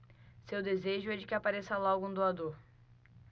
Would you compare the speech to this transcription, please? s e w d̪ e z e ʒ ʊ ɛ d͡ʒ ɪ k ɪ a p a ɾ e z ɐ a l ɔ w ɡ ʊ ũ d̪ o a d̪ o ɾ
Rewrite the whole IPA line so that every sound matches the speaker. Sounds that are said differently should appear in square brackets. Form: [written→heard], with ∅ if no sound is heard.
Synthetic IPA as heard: s e w d̪ e z e ʒ ʊ ɛ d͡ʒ ɪ k ɪ a p a ɾ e [z→s] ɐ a l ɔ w ɡ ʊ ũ d̪ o a d̪ o ɾ

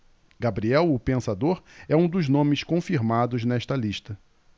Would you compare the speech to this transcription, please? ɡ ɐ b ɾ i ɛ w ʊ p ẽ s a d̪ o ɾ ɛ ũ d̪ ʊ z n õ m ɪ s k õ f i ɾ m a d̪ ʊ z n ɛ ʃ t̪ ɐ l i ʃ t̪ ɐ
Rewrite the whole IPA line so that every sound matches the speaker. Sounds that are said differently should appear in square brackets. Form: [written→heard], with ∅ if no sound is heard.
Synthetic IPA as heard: ɡ [ɐ→a] b ɾ i ɛ w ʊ p ẽ s a d̪ o ɾ ɛ ũ d̪ ʊ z n õ m ɪ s k õ f i ɾ m a d̪ ʊ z n ɛ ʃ t̪ ɐ l i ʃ t̪ ɐ

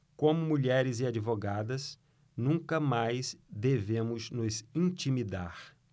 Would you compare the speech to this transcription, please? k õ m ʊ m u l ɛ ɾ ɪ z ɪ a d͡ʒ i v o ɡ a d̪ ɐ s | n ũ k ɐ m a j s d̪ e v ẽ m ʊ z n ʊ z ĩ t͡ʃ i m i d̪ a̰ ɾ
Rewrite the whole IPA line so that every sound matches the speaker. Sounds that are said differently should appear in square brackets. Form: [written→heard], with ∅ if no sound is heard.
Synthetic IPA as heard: k õ m ʊ m u [l→ʎ] ɛ ɾ ɪ z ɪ a d͡ʒ i v o ɡ a d̪ ɐ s | n ũ k ɐ m a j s d̪ e v ẽ m ʊ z n ʊ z ĩ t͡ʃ i m i d̪ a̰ ɾ

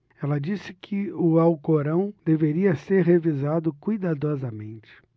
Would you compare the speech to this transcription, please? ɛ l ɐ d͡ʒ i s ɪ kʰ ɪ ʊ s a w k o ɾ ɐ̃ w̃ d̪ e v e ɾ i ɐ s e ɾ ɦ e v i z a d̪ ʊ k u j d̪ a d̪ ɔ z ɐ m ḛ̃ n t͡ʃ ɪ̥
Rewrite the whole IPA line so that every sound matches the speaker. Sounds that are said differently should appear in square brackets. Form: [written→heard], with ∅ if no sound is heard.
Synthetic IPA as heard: ɛ l ɐ d͡ʒ i s ɪ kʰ ɪ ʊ [s→∅] a w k o ɾ ɐ̃ w̃ d̪ e v e ɾ i ɐ s e ɾ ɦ e v i z a d̪ ʊ k u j d̪ a d̪ ɔ z ɐ m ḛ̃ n t͡ʃ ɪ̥

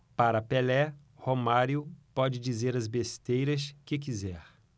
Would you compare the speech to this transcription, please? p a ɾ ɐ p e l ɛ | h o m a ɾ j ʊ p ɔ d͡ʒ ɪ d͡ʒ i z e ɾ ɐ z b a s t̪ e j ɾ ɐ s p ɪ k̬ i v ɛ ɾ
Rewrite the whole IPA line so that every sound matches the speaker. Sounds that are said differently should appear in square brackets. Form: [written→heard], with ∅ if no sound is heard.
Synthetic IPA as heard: p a ɾ ɐ p e l ɛ | h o m a ɾ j ʊ p ɔ d͡ʒ ɪ d͡ʒ i z e ɾ ɐ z b [a→e] s t̪ e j ɾ ɐ s [p→k] ɪ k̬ i [v→z] ɛ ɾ

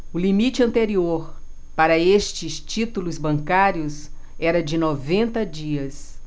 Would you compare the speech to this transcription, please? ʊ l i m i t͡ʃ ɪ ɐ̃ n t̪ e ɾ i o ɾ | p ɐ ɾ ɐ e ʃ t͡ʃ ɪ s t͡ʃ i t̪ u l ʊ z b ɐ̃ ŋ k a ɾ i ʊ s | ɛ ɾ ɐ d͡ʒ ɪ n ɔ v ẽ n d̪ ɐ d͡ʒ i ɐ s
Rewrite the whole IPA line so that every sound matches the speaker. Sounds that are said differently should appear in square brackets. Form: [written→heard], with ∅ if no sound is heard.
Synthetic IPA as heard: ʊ l i m i t͡ʃ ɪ ɐ̃ n t̪ e ɾ i o ɾ | p [ɐ→a] ɾ ɐ e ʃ t͡ʃ ɪ s t͡ʃ i t̪ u l ʊ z b ɐ̃ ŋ k a ɾ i ʊ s | ɛ ɾ ɐ d͡ʒ ɪ n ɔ v ẽ n [d̪→t̪] ɐ d͡ʒ i ɐ s

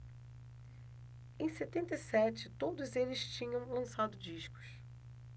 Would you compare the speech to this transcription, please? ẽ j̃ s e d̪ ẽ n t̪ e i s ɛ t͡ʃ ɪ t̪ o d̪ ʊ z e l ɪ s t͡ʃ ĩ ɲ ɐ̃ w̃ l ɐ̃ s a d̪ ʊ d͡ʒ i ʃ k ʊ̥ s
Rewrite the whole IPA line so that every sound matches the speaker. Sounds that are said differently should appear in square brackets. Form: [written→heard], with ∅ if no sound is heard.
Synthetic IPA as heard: ẽ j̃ s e [d̪→t̪] ẽ n t̪ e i s ɛ t͡ʃ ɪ t̪ o d̪ ʊ z e l ɪ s t͡ʃ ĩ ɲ ɐ̃ w̃ l ɐ̃ s a d̪ ʊ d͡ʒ i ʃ k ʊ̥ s

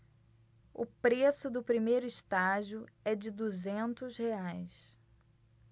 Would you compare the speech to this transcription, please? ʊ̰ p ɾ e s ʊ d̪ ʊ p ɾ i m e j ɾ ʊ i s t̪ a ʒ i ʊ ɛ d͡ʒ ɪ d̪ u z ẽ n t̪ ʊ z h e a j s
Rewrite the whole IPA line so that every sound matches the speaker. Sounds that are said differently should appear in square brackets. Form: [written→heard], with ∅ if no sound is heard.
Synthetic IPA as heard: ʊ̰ p ɾ e s ʊ d̪ ʊ p ɾ i m e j ɾ ʊ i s t̪ a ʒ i ʊ ɛ d͡ʒ ɪ d̪ u z ẽ n t̪ ʊ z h e a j s

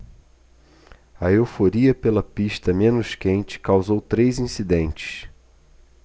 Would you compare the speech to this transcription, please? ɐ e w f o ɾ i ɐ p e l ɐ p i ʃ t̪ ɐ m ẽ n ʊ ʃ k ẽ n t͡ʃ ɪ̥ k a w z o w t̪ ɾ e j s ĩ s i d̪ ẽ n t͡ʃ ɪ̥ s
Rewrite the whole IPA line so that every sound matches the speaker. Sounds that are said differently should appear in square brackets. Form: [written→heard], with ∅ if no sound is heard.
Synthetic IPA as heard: ɐ e w f o ɾ i ɐ p e l ɐ p i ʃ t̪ ɐ m ẽ n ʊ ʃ k ẽ n t͡ʃ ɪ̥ k a w z o w t̪ ɾ e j [s→z] ĩ s i d̪ ẽ n t͡ʃ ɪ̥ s

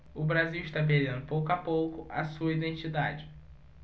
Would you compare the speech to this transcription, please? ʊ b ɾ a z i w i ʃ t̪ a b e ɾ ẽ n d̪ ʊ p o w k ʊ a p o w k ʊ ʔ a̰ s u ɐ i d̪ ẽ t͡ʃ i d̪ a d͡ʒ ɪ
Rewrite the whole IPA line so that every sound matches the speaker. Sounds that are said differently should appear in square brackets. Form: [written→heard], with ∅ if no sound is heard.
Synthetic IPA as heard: ʊ b ɾ a z i w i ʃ t̪ a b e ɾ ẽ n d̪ ʊ p o w k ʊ a p o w k ʊ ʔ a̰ s u ɐ i d̪ ẽ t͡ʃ i d̪ a d͡ʒ ɪ

